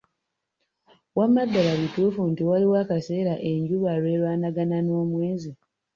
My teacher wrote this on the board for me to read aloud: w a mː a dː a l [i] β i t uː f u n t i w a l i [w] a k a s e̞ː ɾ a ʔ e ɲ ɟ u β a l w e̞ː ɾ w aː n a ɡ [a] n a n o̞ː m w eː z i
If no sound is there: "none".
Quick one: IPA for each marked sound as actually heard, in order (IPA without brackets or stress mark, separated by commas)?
a, w, a